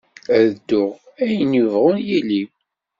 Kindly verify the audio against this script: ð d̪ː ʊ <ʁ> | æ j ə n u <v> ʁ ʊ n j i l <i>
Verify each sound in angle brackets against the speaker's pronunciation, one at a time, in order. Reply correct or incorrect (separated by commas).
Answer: correct, correct, correct